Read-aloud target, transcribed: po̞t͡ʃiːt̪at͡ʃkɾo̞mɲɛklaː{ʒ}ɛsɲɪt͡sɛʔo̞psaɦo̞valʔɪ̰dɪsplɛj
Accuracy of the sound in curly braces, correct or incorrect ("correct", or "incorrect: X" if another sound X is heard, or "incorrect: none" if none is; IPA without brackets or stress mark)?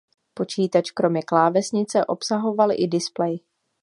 incorrect: v